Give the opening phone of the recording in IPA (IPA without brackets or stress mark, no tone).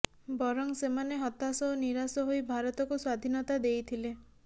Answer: b